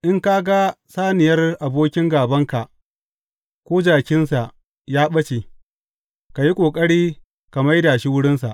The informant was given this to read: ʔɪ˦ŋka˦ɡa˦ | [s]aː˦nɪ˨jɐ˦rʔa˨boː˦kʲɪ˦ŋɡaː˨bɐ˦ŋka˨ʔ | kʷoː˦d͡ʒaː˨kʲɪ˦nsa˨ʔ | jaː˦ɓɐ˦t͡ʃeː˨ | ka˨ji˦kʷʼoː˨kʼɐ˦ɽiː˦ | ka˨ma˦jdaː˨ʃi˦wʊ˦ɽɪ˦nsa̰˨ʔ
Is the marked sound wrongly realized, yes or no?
no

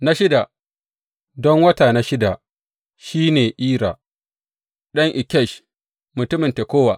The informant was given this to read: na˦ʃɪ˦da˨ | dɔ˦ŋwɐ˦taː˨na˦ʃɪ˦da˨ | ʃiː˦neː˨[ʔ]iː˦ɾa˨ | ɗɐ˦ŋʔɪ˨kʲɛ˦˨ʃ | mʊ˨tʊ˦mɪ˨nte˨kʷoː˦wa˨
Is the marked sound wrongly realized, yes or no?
no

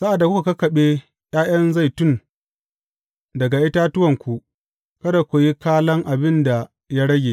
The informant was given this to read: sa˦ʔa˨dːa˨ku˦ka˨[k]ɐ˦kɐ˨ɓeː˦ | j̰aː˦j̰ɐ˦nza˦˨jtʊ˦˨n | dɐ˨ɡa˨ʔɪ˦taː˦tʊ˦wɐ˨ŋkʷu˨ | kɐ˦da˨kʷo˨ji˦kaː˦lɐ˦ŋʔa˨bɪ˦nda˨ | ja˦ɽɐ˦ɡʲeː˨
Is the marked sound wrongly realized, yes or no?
no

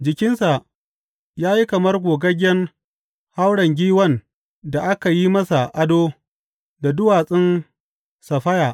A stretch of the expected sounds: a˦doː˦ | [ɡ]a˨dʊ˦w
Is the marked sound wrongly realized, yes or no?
yes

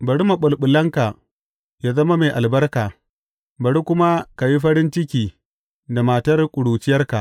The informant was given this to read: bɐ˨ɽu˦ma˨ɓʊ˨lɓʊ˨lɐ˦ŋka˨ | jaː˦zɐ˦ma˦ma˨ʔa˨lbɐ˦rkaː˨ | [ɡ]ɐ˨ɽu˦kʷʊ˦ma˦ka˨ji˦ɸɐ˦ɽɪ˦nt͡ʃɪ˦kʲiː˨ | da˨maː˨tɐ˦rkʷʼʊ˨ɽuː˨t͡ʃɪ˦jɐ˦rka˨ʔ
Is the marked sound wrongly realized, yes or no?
yes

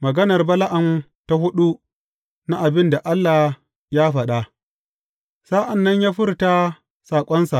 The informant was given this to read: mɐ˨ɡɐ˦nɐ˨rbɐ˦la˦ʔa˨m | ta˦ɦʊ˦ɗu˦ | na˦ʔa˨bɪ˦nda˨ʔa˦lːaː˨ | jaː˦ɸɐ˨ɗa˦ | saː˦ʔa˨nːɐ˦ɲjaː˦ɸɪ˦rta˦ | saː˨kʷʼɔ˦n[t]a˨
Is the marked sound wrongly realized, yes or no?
yes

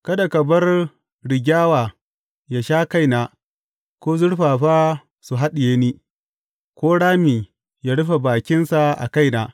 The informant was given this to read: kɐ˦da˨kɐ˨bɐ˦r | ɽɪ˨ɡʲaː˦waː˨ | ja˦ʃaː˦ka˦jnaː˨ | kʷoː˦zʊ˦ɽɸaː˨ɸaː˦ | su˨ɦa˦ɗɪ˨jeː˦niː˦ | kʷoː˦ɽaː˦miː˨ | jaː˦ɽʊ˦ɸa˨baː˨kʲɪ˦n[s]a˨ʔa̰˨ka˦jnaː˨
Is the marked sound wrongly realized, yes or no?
no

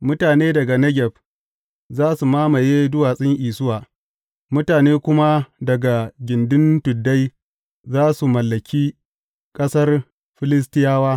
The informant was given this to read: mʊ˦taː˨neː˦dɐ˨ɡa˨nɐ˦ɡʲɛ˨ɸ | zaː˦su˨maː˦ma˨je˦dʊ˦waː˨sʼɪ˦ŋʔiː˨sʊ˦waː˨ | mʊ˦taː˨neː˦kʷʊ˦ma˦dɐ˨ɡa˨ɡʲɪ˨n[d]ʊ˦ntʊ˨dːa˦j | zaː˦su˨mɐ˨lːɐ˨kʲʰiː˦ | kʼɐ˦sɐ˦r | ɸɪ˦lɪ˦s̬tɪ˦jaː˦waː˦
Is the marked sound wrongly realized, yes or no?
no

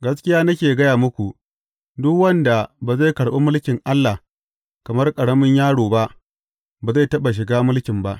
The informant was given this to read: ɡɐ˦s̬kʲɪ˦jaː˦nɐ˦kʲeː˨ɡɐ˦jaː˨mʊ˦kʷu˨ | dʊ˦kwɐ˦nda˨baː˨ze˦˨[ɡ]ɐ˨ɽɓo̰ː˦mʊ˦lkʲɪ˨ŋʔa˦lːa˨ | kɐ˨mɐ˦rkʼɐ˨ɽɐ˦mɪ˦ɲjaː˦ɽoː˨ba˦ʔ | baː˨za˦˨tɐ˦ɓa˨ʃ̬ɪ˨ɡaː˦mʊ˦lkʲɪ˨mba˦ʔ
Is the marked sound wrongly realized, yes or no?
yes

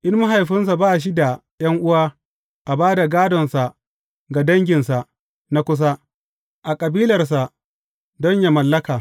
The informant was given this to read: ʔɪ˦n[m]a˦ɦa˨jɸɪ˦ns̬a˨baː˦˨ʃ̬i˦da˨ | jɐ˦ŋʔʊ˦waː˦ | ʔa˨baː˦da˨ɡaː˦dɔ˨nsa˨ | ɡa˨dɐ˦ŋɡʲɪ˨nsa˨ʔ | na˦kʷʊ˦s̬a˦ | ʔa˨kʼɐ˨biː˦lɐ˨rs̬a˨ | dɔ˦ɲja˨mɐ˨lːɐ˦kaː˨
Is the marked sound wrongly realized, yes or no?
no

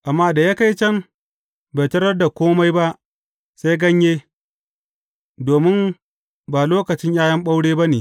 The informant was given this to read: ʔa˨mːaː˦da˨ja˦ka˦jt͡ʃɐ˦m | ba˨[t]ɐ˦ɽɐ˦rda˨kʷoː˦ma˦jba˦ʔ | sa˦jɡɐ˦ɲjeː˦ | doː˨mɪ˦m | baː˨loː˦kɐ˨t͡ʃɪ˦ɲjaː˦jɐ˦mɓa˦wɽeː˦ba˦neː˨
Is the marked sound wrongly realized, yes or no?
no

